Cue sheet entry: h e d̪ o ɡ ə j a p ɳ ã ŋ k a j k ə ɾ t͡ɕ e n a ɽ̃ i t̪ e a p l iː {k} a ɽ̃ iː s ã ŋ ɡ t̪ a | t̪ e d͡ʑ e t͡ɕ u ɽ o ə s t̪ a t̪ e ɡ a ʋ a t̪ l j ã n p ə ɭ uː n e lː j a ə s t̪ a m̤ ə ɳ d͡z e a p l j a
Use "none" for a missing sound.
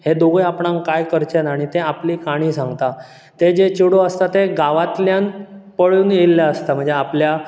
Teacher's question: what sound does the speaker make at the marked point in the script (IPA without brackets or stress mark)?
k